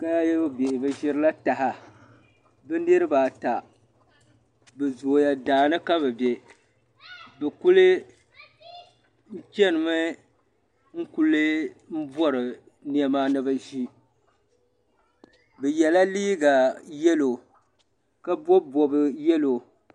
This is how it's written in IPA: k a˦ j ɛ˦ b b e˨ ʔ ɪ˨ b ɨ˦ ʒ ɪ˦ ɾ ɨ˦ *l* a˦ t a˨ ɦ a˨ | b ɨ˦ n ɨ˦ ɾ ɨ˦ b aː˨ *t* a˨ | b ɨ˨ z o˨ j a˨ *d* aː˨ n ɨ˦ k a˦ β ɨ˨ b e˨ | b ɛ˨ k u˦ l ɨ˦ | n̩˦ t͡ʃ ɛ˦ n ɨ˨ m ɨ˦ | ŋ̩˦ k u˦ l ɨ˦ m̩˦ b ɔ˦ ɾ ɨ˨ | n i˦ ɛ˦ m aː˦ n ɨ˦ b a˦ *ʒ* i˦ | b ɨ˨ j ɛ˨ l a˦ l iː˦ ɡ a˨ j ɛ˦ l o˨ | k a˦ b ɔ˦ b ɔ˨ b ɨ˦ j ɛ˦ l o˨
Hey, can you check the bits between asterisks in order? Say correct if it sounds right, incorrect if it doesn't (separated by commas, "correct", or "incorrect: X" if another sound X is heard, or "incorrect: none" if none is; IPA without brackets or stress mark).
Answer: correct, correct, correct, correct